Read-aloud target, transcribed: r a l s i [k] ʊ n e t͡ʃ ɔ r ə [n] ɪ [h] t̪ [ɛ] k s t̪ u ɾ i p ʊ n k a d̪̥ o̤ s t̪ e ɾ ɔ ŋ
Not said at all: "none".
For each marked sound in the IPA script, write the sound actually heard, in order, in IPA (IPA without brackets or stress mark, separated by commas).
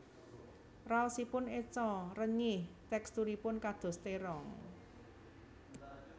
p, ɲ, h, ɛ